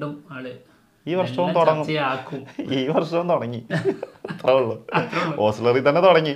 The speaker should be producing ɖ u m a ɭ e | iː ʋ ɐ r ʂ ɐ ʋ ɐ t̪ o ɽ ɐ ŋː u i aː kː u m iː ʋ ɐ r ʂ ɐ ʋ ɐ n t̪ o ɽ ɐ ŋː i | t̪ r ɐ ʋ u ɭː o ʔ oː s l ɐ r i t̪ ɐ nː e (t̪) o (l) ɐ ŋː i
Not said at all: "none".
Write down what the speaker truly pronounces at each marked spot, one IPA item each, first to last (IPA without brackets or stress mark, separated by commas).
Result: t̪, ɽ